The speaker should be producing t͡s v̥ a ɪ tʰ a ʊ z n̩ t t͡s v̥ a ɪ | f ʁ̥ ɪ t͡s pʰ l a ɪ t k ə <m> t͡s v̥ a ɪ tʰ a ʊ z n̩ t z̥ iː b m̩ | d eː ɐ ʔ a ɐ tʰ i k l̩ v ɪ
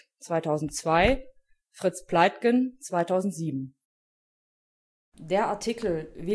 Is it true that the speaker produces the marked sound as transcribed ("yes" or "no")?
no